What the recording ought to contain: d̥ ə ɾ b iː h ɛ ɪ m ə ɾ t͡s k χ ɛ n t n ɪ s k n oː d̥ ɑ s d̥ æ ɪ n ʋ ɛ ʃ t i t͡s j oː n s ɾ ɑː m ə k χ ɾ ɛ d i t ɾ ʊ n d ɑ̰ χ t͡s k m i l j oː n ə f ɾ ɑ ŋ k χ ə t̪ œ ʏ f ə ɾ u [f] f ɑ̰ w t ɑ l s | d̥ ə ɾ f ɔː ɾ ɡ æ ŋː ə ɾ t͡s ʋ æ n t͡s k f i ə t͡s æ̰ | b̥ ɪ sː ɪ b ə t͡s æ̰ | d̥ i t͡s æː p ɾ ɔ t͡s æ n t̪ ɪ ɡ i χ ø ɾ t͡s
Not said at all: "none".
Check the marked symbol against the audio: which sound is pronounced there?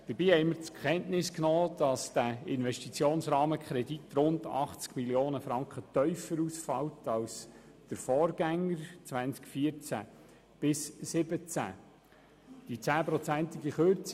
s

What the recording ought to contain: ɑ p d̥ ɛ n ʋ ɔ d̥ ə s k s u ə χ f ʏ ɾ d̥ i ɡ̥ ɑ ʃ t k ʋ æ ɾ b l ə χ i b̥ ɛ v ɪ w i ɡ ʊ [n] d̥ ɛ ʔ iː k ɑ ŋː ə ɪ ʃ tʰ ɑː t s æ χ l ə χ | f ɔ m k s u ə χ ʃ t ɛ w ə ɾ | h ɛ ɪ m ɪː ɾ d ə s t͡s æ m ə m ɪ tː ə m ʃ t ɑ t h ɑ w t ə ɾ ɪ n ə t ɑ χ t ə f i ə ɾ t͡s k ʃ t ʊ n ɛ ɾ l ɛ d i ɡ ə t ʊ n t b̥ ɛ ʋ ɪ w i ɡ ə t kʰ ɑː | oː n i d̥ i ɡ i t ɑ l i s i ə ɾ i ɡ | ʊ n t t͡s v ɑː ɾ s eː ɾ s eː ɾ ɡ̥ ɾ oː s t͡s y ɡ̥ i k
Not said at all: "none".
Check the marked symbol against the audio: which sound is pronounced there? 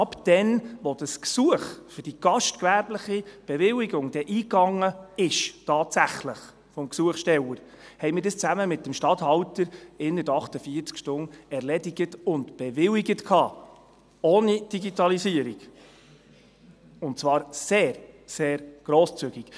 ŋ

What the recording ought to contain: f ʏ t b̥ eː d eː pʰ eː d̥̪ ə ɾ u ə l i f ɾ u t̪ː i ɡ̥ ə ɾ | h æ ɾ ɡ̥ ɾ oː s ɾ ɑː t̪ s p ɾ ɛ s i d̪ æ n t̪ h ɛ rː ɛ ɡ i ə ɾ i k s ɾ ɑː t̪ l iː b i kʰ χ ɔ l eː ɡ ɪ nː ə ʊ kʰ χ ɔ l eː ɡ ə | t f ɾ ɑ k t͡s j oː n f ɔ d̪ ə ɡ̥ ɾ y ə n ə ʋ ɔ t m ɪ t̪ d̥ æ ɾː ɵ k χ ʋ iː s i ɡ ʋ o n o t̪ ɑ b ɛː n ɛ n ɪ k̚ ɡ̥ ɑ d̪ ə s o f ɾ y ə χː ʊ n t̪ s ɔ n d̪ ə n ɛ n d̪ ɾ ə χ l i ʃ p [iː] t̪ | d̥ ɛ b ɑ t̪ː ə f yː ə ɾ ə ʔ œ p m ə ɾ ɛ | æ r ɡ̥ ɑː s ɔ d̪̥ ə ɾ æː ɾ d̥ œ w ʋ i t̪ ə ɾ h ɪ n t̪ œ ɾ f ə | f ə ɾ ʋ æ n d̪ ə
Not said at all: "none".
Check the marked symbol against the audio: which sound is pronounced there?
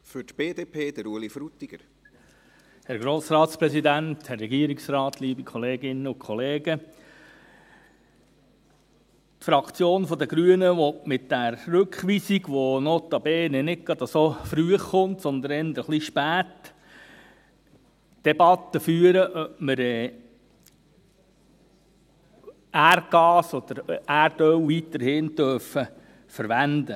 æː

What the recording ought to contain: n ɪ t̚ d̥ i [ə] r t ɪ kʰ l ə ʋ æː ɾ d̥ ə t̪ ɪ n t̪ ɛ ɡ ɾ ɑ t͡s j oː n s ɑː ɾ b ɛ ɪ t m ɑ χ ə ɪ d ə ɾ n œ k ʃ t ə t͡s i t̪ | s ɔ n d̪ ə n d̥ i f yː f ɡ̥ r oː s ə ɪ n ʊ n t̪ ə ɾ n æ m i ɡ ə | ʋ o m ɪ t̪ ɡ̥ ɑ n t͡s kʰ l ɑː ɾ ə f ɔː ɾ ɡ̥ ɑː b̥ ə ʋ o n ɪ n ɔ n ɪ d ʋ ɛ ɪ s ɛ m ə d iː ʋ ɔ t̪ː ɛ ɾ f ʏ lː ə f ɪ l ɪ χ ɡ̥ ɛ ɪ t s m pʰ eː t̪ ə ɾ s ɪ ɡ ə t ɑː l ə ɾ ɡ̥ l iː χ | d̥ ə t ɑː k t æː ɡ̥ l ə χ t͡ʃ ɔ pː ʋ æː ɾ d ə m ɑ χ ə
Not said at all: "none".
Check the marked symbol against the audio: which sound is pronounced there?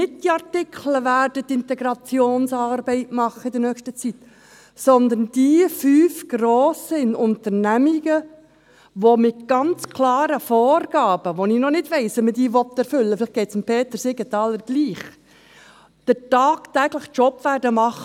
ɑ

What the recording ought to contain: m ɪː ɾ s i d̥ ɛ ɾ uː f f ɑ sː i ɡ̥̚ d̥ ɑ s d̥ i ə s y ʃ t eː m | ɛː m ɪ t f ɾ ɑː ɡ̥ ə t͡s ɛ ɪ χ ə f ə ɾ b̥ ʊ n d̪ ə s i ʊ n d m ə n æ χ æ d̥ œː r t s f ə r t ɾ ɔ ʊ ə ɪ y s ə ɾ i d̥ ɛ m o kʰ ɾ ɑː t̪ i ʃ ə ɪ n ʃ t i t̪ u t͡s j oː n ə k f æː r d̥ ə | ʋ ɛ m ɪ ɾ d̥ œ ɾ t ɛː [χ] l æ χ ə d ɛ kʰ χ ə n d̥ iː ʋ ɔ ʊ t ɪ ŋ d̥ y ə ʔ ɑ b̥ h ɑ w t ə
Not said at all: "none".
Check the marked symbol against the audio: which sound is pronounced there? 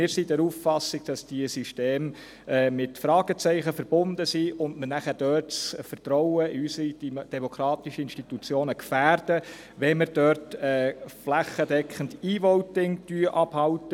f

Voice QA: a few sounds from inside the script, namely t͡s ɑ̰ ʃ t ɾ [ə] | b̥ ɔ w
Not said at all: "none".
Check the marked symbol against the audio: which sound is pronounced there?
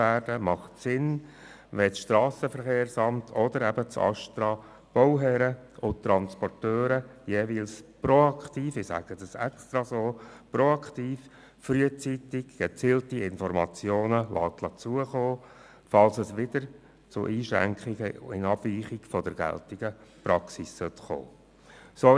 ɑ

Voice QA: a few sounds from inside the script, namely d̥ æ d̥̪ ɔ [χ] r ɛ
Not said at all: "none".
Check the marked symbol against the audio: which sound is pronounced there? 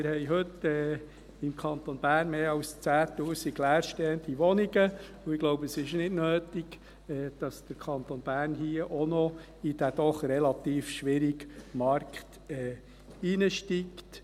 χ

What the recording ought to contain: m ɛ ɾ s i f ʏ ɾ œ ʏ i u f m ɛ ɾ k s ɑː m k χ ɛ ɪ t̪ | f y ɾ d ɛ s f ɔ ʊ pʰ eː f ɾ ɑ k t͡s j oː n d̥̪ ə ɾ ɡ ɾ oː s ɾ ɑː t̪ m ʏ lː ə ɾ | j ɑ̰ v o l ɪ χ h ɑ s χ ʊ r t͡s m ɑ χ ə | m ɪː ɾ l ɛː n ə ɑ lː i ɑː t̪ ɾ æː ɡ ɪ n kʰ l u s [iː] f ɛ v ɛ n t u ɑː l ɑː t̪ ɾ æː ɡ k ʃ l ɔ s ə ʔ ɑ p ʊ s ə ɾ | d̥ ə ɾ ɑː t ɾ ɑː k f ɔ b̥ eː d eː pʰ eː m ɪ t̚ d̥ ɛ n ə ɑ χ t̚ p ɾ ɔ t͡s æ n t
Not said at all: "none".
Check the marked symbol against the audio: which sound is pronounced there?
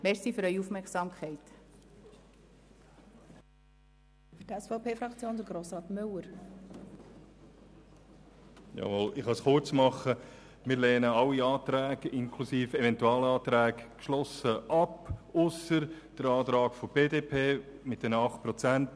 iː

